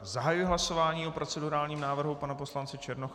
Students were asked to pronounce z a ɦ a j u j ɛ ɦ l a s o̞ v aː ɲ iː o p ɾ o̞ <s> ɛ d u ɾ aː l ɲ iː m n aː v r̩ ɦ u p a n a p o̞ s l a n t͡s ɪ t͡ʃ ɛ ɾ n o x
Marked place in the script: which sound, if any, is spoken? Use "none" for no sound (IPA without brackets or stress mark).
t͡s